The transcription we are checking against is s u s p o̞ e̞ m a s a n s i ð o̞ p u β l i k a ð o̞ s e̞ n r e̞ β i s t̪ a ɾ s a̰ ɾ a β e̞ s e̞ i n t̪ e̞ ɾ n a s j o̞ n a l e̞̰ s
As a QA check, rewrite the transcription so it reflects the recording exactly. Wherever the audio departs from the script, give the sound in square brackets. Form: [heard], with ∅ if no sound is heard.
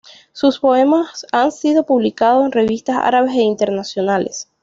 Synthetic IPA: s u s p o̞ e̞ m a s a n s i ð o̞ p u β l i k a ð o̞ s e̞ n r e̞ β i s t̪ a [∅] s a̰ ɾ a β e̞ s e̞ i n t̪ e̞ ɾ n a s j o̞ n a l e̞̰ s